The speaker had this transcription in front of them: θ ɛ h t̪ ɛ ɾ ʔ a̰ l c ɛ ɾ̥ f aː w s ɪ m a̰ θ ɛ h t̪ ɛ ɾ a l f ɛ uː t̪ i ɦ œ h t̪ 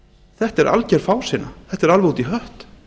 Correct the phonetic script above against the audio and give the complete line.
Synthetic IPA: θ ɛ h t̪ ɛ ɾ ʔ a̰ l c ɛ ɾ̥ f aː w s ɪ n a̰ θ ɛ h t̪ ɛ ɾ a l v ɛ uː t̪ i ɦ œ h t̪